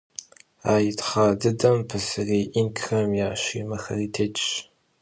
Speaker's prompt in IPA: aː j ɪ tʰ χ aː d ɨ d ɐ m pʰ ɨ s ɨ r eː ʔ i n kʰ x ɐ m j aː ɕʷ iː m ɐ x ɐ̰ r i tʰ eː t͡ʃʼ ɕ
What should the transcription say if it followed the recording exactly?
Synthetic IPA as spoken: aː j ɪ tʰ χ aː d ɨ d ɐ m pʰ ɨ s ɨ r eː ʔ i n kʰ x ɐ m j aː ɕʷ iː m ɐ x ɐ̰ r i tʰ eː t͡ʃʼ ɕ